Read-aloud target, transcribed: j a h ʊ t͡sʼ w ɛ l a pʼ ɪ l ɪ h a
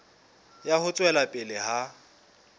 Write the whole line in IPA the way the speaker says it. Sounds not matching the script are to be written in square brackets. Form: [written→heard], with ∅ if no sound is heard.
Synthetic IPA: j a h ʊ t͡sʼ w ɛ l a pʼ ɪ l ɪ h a

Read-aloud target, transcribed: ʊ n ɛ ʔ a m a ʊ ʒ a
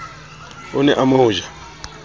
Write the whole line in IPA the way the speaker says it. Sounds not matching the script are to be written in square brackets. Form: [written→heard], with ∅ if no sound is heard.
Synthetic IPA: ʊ n ɛ ʔ a m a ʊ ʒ a

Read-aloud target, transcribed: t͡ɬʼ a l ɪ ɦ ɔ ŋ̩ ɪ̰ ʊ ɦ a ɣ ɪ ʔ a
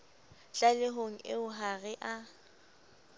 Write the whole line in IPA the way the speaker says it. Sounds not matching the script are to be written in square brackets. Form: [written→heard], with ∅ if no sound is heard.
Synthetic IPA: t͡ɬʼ a l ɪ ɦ [ɔ→o] ŋ̩ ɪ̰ ʊ ɦ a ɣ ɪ ʔ a

